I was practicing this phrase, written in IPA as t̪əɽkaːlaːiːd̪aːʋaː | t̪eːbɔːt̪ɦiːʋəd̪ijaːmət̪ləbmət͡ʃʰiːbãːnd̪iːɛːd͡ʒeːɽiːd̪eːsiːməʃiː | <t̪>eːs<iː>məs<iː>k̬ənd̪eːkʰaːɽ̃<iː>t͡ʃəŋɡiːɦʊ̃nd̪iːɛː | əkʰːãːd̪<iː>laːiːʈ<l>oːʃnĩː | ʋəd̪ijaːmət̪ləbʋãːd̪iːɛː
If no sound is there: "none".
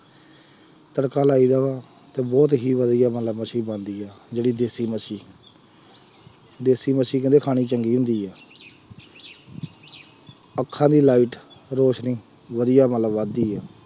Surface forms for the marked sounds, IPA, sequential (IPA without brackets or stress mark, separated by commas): d̪, iː, iː, iː, iː, ɾ